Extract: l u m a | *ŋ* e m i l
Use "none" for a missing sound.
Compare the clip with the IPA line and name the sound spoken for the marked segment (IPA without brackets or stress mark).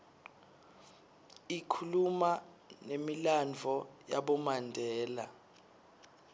n